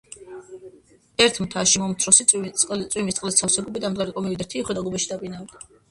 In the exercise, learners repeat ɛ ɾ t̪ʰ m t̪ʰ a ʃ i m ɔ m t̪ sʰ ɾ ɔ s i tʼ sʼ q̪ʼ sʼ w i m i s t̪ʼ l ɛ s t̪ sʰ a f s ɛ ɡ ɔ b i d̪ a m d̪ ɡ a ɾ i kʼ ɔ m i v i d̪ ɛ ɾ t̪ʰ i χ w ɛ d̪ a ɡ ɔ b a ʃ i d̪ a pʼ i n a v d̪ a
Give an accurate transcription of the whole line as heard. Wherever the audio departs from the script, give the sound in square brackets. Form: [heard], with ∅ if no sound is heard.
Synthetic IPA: ɛ ɾ t̪ʰ m t̪ʰ a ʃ i m ɔ m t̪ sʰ ɾ ɔ s i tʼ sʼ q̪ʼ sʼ w i m i s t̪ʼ l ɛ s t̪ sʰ a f s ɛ ɡ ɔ b i d̪ a m d̪ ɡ a ɾ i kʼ ɔ m i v i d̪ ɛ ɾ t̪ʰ i χ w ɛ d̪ a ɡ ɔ b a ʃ i d̪ a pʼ i n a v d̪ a